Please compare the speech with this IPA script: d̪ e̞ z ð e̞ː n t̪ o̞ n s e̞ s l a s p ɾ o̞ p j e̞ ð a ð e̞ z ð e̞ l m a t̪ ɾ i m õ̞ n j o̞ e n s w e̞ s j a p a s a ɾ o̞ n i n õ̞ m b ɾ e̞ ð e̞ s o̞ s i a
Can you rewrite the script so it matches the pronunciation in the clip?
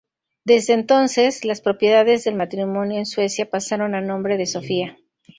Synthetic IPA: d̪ e̞ z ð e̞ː n t̪ o̞ n s e̞ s l a s p ɾ o̞ p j e̞ ð a ð e̞ z ð e̞ l m a t̪ ɾ i m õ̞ n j o̞ e n s w e̞ s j a p a s a ɾ o̞ n a n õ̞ m b ɾ e̞ ð e̞ s o̞ f i a